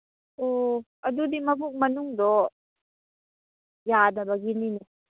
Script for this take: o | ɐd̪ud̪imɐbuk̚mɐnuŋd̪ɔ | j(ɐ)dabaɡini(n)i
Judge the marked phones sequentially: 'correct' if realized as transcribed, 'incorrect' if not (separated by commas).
incorrect, correct